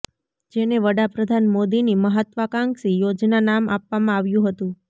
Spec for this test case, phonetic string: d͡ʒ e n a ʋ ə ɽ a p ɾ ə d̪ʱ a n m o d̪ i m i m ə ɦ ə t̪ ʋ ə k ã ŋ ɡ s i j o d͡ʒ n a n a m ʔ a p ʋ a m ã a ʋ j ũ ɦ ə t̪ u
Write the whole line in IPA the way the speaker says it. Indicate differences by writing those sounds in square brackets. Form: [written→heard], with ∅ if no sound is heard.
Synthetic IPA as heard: d͡ʒ e n [a→e] ʋ ə ɽ a p ɾ ə d̪ʱ a n m o d̪ i [m→n] i m ə ɦ ə t̪ ʋ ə k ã ŋ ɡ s i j o d͡ʒ n a n a m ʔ a p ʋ a m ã a ʋ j ũ ɦ ə t̪ [u→ũ]